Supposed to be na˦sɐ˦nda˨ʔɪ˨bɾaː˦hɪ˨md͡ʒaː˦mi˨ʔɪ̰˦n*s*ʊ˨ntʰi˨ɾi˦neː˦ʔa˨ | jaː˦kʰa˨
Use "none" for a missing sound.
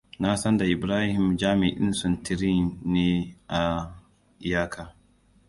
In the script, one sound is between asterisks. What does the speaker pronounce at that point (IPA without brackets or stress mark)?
s